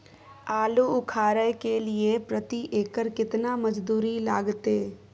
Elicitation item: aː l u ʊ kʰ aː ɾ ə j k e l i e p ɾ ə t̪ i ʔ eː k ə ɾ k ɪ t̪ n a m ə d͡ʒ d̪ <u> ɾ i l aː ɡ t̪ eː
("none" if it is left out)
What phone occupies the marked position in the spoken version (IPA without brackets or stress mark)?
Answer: uː